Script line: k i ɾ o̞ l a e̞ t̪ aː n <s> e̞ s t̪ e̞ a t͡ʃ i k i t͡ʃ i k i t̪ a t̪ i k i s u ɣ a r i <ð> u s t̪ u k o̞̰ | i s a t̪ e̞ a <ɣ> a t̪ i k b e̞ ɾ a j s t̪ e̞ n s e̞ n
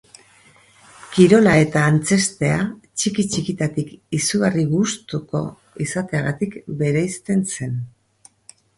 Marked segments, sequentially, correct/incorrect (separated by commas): incorrect, incorrect, correct